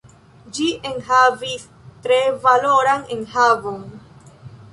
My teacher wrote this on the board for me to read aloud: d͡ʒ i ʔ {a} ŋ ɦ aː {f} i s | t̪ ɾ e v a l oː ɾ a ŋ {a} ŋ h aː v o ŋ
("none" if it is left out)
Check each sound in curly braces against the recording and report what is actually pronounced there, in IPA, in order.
e, v, e

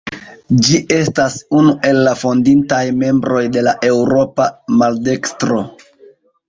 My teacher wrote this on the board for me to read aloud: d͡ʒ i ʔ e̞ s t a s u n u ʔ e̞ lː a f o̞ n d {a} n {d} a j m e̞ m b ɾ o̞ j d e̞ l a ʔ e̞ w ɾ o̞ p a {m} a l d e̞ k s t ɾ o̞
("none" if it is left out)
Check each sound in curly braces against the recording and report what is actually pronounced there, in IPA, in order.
i, t, m

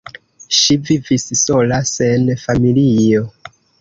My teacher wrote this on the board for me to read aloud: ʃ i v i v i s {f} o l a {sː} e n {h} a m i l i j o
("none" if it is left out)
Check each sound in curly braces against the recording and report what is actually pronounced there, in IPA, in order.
s, s, f

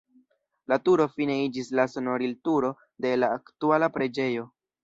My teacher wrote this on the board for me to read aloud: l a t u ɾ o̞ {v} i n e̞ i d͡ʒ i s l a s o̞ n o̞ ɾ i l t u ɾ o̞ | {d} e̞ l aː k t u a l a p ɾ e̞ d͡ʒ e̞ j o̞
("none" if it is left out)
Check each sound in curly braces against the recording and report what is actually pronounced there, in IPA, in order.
f, d

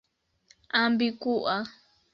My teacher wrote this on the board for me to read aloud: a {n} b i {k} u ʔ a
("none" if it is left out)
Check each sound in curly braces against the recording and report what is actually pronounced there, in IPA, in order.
m, k

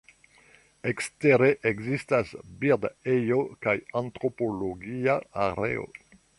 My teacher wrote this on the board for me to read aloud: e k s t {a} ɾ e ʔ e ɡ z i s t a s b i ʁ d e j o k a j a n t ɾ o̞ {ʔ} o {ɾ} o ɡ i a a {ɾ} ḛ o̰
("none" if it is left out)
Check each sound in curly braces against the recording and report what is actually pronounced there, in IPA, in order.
e, p, l, ɾ

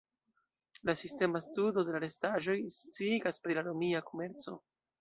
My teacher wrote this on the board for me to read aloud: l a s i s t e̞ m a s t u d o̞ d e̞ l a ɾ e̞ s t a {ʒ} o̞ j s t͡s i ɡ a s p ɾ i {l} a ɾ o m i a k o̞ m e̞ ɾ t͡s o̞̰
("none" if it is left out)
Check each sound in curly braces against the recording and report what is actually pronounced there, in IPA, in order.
ʒ, l

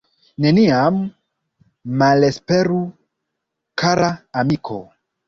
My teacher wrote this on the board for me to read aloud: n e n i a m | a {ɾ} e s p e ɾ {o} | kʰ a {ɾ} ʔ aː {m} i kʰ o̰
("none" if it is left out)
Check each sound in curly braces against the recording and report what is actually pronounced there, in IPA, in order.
l, u, ɾ, m

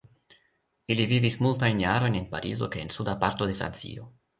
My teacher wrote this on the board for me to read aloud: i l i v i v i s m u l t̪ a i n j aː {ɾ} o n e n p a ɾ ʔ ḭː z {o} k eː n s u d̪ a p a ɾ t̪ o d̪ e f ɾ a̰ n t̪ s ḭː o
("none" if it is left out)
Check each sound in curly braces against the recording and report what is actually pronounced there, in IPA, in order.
ɾ, o

